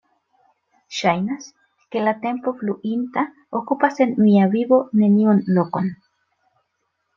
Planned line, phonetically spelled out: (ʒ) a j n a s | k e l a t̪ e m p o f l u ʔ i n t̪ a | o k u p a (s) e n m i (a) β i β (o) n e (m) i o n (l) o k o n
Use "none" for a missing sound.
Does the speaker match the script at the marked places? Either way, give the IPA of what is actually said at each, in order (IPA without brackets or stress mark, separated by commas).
ʃ, s, a, o, n, l